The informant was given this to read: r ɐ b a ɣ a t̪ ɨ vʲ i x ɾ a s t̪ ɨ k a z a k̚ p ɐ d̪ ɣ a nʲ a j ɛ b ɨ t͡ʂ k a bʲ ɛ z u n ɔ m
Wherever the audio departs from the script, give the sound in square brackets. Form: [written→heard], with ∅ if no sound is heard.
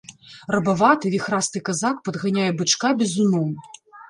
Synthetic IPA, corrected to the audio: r ɐ b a [ɣ→v] a t̪ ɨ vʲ i x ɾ a s t̪ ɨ k a z a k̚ p ɐ d̪ ɣ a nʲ a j ɛ b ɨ t͡ʂ k a bʲ ɛ z u n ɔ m